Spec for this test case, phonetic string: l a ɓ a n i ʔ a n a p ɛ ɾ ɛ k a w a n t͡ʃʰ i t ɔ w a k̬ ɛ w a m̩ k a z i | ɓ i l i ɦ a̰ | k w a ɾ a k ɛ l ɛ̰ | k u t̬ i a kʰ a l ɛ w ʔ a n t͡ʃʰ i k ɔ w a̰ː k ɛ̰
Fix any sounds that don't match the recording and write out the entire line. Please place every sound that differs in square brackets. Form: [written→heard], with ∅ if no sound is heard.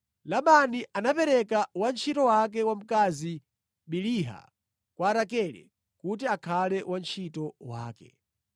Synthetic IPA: l a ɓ a n i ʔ a n a p ɛ ɾ ɛ k a w a n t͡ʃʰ i t ɔ w a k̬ ɛ w a m̩ k a z i | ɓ i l i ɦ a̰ | k w a ɾ a k ɛ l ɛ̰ | k u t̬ i a kʰ a l ɛ w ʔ a n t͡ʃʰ i [k→t] ɔ w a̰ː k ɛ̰